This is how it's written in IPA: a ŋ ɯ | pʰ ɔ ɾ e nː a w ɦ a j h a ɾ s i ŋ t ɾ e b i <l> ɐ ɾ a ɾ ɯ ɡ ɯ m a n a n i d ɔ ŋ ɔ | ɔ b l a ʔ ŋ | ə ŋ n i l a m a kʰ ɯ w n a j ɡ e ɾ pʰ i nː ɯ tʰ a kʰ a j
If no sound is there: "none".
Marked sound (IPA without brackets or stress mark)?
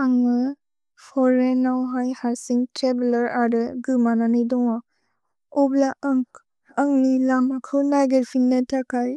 l